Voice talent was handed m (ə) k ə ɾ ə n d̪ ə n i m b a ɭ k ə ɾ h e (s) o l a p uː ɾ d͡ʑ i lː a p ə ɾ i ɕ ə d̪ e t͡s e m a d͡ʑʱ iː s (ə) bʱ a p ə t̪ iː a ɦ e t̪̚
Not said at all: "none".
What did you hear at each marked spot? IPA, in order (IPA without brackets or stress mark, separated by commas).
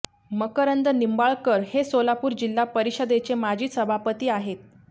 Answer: ə, s, ə